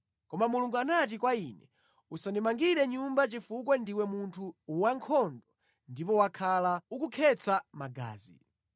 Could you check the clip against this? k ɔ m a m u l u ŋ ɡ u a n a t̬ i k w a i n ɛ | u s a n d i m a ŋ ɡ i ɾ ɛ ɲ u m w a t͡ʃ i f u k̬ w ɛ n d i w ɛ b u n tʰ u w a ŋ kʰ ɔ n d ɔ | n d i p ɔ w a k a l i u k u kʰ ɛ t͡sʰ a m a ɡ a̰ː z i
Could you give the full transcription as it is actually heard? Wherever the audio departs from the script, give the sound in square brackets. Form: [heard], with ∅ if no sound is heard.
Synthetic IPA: k ɔ m a m u l u ŋ ɡ u a n a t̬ i k w a i n ɛ | u s a n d i m a ŋ ɡ i ɾ ɛ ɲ u m [b] a t͡ʃ i f u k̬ w ɛ n d i w ɛ [m] u n tʰ u w a ŋ kʰ ɔ n d ɔ | n d i p ɔ w a [kʰ] a l [a] u k u kʰ ɛ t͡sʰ a m a ɡ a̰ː z i